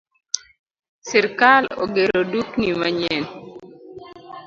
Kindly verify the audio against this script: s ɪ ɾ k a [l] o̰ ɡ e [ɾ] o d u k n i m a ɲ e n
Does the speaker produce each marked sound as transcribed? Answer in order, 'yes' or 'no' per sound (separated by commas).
yes, yes